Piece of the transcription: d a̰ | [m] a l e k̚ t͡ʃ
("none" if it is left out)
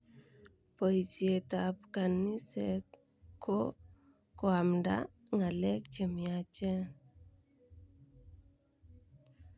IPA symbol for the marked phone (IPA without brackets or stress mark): ŋ